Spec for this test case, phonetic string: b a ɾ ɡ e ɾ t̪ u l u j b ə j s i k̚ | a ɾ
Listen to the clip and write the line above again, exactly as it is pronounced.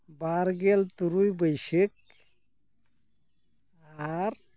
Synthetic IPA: b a ɾ ɡ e l t̪ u ɾ u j b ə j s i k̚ | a ɾ

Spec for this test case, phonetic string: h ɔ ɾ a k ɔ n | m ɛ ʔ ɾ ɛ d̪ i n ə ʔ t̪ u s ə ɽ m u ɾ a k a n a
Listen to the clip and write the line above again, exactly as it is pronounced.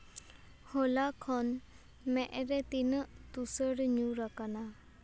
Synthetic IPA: h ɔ l a kʰ ɔ n | m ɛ ʔ ɾ ɛ t̪ i n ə ʔ t̪ u s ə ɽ ɲ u ɾ a k a n a

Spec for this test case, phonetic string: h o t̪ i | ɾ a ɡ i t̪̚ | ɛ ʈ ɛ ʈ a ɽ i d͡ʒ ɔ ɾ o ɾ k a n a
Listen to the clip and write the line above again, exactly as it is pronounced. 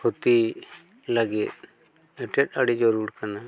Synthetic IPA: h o t̪ i | l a ɡ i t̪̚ | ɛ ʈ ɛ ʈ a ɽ i d͡ʒ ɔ ɾ u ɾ k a n a

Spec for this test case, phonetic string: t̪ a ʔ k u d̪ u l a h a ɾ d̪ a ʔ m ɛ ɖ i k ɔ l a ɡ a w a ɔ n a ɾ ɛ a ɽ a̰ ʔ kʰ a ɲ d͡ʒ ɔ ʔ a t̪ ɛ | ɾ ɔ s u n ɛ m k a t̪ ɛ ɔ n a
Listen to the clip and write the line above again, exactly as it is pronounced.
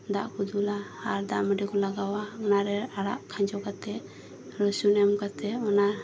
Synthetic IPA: d̪ a ʔ k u d̪ u l a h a ɾ d̪ a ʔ m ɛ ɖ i k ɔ l a ɡ a w a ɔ n a ɾ ɛ a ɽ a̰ ʔ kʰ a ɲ d͡ʒ ɔ k a t̪ ɛ | ɾ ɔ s u n ɛ m k a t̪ ɛ ɔ n a

